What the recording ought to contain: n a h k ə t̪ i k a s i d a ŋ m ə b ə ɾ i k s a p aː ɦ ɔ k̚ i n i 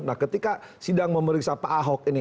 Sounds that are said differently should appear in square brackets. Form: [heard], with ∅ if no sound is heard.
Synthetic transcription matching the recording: n a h k ə t̪ i k a s i d a ŋ m ə [m] ə ɾ i k s a p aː ɦ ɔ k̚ i n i